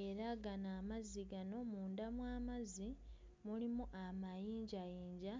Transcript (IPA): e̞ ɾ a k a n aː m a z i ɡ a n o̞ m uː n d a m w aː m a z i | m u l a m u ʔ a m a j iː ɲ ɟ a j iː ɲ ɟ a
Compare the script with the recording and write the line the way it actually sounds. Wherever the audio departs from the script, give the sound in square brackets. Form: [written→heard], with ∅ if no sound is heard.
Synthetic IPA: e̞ ɾ a [k→ɡ] a n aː m a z i ɡ a n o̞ m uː n d a m w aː m a z i | m u l [a→i] m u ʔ a m a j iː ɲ ɟ a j iː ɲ ɟ a